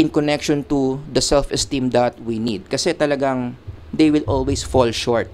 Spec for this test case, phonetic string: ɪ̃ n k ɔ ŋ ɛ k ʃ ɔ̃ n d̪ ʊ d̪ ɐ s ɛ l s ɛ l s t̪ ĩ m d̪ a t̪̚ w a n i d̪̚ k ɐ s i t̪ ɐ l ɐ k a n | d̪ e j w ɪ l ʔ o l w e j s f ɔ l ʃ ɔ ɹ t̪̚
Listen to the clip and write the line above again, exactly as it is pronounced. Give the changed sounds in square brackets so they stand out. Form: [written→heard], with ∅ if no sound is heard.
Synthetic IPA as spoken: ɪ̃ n k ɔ [ŋ→n] ɛ k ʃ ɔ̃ n [d̪→t̪] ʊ d̪ ɐ s ɛ l [s→f] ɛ [l→∅] s t̪ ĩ m d̪ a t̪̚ w [a→i] n i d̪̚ k ɐ s [i→ɛ] t̪ ɐ l ɐ [k→ɡ] a [n→ŋ] | d̪ e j w ɪ l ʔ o l w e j s f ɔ l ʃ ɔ ɹ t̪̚

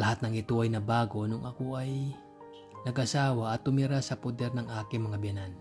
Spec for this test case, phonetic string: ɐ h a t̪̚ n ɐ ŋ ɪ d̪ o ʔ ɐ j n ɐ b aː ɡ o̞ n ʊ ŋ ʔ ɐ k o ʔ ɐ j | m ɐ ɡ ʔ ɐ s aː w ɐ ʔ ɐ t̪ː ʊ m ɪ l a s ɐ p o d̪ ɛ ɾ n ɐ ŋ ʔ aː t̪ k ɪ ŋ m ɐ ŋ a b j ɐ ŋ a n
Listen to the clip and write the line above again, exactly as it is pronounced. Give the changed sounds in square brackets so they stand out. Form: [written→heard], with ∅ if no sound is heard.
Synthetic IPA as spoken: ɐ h a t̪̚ n ɐ ŋ ɪ [d̪→t̪] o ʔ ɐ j n ɐ b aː ɡ o̞ n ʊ ŋ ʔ ɐ k o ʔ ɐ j | [m→n] ɐ ɡ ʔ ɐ s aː w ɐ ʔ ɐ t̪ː ʊ m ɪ [l→ɾ] a s ɐ p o d̪ ɛ ɾ n ɐ ŋ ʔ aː [t̪→∅] k ɪ ŋ m ɐ ŋ a b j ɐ [ŋ→n] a n

